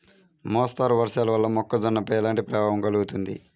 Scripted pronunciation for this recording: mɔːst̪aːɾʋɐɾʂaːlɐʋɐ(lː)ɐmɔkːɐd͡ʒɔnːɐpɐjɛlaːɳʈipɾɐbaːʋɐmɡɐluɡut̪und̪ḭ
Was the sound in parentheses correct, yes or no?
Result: yes